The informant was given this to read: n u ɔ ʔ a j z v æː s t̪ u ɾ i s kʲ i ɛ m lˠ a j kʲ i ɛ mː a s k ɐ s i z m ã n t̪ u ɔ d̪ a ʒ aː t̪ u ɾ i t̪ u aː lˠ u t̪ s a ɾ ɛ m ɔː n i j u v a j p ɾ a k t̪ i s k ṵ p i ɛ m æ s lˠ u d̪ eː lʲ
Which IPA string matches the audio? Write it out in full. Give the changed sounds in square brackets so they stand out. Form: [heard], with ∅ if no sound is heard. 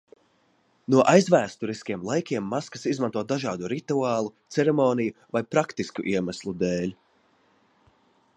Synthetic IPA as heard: n u ɔ ʔ a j z v æː s t̪ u ɾ i s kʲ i ɛ m lˠ a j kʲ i ɛ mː a s k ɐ s i z m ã n t̪ u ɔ d̪ a ʒ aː [d̪] u ɾ i t̪ u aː lˠ u t̪ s [ɛ] ɾ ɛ m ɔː n i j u v a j p ɾ a k t̪ i s k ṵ [ʔ] i ɛ m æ s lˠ u d̪ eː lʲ